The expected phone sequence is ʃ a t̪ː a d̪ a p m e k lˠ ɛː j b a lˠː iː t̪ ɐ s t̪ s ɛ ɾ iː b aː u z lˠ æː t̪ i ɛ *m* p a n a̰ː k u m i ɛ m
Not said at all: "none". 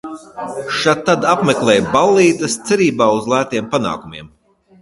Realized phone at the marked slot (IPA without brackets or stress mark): m